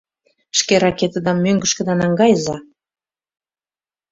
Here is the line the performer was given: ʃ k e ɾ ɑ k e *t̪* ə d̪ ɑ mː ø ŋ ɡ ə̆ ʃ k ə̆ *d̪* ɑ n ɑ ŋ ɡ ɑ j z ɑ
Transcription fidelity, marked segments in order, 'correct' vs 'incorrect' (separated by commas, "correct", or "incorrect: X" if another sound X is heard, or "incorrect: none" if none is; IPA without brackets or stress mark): correct, correct